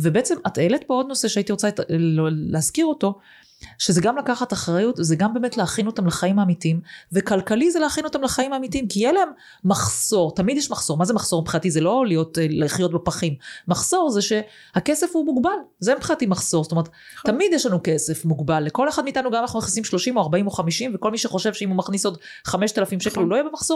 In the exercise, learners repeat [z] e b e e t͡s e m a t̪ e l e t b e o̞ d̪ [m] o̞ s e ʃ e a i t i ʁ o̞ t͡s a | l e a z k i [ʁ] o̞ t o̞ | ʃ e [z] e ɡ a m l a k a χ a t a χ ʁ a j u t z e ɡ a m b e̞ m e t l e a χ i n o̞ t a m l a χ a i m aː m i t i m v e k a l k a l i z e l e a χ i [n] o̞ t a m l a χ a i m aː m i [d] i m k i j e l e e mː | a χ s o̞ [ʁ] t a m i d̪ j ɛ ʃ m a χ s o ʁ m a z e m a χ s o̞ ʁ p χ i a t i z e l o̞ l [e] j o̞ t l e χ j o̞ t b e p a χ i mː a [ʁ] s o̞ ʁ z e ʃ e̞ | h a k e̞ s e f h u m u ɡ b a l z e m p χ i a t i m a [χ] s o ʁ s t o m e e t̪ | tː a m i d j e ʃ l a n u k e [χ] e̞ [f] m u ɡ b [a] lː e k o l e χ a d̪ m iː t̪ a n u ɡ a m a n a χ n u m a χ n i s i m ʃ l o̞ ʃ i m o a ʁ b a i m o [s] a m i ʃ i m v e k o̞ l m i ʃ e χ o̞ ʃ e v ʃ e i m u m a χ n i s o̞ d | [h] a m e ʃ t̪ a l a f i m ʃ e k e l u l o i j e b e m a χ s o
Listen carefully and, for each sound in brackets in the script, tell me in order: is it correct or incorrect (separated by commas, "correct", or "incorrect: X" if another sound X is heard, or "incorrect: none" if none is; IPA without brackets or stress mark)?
incorrect: v, incorrect: n, correct, correct, correct, incorrect: t, correct, incorrect: i, incorrect: χ, correct, incorrect: s, correct, correct, incorrect: χ, incorrect: χ